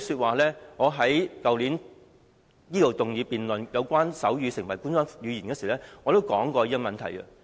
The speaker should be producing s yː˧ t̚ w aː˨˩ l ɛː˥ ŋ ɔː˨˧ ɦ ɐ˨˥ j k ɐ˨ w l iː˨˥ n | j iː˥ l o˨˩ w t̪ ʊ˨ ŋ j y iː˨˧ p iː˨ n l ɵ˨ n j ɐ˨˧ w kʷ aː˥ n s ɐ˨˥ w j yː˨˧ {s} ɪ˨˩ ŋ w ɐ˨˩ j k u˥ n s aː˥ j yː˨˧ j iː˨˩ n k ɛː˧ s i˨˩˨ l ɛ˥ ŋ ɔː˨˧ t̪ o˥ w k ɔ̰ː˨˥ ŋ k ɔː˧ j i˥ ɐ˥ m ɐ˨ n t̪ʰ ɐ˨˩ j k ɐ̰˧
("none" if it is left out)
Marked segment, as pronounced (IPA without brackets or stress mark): s